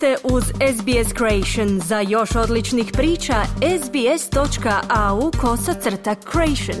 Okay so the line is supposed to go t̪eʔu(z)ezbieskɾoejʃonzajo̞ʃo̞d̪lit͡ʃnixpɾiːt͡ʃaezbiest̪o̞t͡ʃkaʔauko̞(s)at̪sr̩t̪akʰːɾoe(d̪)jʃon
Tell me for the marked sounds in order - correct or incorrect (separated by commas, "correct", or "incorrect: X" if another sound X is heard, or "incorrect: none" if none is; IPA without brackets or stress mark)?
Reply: correct, correct, incorrect: none